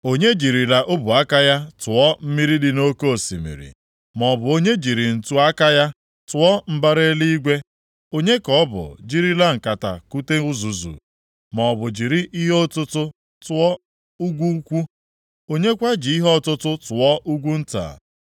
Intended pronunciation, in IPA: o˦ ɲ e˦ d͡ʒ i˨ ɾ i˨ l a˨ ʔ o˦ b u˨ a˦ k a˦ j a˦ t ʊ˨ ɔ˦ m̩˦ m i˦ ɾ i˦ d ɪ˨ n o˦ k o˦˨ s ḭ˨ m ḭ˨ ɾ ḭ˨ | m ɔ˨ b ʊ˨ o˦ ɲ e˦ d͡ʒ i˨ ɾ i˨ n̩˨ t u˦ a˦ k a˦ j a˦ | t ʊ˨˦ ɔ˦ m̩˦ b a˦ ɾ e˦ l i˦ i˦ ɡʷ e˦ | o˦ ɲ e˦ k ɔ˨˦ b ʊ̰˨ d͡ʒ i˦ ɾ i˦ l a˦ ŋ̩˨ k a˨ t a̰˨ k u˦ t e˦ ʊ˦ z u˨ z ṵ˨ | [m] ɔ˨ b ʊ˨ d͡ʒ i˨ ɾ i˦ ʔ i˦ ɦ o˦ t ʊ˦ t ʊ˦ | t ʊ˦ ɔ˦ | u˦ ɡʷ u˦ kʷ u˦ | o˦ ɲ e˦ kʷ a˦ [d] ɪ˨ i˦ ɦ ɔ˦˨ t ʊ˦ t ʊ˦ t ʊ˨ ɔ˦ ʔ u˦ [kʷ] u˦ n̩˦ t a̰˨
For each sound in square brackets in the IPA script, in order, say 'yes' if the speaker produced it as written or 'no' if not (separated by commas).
yes, no, no